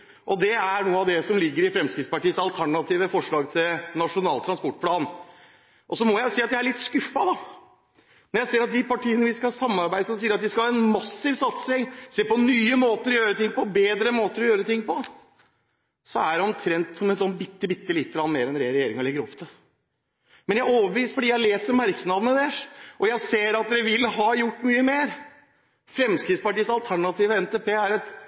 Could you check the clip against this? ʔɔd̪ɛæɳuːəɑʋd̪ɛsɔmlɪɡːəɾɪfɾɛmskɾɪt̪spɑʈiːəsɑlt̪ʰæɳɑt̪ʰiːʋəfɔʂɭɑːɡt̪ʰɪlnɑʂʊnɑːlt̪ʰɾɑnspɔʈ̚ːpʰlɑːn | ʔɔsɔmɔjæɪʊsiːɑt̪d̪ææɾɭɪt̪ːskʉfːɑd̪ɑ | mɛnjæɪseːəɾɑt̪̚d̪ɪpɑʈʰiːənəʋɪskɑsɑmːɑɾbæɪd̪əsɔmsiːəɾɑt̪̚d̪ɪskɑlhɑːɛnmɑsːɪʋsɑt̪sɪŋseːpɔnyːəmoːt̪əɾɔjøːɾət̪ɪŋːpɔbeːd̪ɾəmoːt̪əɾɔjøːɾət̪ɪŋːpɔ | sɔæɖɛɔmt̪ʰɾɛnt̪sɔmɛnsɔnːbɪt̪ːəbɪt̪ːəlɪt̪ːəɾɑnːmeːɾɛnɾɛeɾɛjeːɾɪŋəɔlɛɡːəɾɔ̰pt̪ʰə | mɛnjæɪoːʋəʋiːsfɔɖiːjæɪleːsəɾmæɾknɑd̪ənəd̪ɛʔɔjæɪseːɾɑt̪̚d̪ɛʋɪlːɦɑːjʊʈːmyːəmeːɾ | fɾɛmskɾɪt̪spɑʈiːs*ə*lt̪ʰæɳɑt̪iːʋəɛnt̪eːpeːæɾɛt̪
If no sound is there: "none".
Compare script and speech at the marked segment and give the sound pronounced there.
ɑ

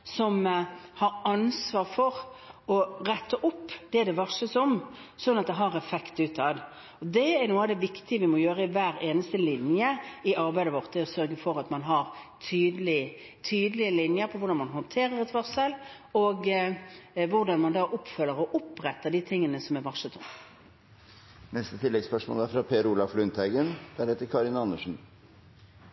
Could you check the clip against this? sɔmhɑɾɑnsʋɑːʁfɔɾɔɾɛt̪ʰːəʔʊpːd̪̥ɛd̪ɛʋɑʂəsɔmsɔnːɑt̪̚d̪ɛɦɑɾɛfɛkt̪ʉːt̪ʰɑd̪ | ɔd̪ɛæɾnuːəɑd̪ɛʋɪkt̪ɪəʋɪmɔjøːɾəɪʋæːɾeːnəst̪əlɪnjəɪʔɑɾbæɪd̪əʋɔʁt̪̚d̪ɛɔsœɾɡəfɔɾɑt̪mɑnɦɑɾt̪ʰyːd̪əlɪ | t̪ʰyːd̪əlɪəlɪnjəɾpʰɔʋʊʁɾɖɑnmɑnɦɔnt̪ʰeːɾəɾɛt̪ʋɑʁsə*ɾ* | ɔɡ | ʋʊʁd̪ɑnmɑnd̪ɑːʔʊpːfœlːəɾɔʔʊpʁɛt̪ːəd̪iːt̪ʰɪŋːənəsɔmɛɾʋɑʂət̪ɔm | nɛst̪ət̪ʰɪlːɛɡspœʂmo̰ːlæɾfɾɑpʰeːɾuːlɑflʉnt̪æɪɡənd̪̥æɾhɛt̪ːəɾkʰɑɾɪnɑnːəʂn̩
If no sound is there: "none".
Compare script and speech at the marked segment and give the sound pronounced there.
l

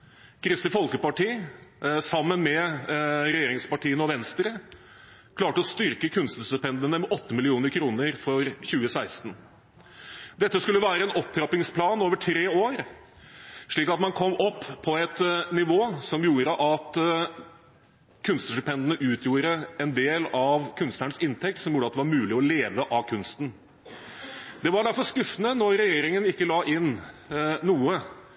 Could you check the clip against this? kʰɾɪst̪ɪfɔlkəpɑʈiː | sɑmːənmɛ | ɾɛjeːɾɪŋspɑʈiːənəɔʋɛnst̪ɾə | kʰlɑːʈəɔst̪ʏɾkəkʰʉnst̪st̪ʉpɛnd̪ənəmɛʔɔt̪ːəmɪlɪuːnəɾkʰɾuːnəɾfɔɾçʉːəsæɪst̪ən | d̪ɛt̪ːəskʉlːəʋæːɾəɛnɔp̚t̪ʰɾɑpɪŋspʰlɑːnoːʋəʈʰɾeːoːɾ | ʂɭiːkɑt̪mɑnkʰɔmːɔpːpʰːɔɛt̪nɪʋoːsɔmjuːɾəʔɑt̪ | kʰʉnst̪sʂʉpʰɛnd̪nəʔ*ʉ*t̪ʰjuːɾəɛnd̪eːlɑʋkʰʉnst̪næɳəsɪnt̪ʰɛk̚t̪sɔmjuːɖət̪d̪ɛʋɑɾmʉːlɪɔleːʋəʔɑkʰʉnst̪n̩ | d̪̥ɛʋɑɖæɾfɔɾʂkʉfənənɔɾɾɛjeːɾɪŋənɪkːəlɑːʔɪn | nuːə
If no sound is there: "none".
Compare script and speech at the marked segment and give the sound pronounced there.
ʉː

